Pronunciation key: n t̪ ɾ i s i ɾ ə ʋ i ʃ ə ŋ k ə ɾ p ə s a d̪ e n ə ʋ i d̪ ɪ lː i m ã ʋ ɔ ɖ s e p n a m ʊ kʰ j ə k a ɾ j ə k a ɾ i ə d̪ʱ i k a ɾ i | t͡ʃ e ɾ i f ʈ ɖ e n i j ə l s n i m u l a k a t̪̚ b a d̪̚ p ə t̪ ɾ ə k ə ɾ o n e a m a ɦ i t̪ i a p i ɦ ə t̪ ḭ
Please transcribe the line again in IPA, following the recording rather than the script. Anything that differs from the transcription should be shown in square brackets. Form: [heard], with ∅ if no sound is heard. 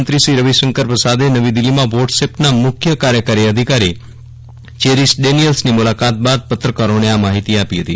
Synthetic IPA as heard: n t̪ ɾ i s i ɾ ə ʋ i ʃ ə ŋ k ə ɾ p ə s a d̪ e n ə ʋ i d̪ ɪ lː i m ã ʋ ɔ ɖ s e p n a m ʊ kʰ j ə k a ɾ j ə k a ɾ i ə d̪ʱ i k a ɾ i | t͡ʃ e ɾ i [s] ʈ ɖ e n i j ə l s n i m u l a k a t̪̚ b a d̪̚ p ə t̪ ɾ ə k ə ɾ o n e a m a ɦ i t̪ i a p i ɦ ə t̪ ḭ